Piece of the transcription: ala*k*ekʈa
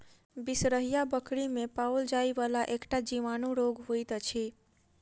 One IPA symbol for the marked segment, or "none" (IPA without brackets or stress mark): ʔ